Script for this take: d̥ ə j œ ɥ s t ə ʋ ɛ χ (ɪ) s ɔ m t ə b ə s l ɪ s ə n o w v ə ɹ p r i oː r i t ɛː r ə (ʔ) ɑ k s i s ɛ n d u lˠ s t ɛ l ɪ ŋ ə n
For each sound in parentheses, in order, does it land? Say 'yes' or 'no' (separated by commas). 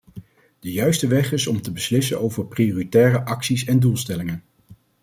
yes, yes